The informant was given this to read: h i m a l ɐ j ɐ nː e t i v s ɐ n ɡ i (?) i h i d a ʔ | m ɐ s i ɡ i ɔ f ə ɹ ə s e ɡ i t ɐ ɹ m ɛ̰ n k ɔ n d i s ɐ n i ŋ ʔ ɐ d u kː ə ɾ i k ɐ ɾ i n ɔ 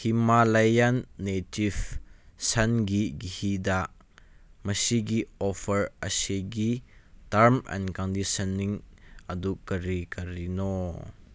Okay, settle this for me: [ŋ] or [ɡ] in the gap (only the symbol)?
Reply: ɡ